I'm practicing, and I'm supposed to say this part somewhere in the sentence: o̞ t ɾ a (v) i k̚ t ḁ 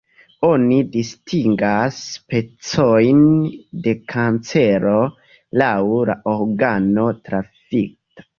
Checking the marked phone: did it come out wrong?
yes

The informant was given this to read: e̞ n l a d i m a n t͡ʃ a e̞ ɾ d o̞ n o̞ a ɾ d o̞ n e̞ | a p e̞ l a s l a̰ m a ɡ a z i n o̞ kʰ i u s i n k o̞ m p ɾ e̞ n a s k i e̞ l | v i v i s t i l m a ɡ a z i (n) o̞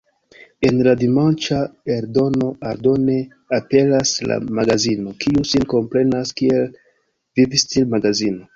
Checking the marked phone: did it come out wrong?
no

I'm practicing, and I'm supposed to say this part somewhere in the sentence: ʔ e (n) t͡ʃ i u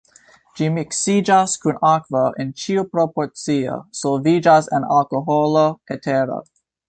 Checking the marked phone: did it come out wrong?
no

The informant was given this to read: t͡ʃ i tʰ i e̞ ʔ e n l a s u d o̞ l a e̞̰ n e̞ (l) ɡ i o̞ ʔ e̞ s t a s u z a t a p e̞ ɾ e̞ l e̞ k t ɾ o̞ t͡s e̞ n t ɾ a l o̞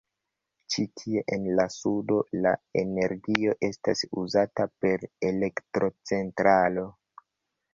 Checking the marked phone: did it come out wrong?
yes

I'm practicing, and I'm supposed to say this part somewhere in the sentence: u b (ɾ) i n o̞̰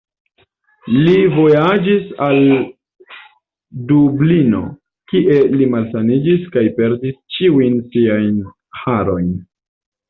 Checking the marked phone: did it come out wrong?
yes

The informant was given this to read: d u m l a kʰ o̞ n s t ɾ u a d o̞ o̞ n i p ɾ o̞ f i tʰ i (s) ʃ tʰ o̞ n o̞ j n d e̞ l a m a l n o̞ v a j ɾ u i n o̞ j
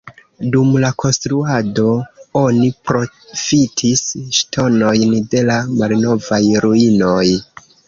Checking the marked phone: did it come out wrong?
no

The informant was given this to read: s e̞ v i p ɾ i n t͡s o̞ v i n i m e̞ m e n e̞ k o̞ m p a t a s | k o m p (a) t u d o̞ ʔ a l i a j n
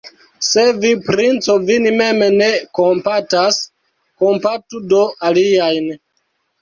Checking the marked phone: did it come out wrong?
no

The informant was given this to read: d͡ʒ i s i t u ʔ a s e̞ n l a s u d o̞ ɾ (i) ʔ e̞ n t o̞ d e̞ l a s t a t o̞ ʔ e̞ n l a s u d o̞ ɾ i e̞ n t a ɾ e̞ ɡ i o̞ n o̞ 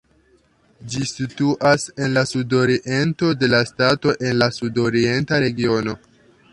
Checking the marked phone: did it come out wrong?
no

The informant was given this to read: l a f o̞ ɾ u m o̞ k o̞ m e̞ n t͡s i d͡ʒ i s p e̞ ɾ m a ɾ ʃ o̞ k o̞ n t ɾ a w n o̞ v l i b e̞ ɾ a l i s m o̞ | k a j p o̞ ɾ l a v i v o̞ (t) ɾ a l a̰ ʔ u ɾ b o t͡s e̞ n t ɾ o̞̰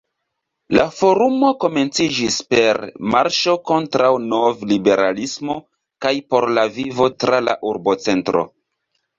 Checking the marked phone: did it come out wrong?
no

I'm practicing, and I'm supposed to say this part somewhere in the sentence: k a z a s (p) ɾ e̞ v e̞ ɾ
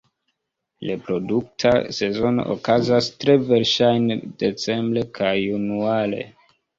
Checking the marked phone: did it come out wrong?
yes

